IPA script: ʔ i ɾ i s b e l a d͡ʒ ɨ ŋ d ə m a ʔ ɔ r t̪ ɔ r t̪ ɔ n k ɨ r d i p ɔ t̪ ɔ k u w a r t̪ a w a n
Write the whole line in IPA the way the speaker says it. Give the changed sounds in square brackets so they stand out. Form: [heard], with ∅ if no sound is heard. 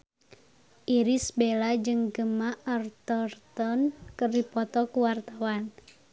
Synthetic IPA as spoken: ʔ i ɾ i s b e l a d͡ʒ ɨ ŋ [ɡ] ə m a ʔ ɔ r t̪ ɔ r t̪ ɔ n k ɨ r d i p ɔ t̪ ɔ k u w a r t̪ a w a n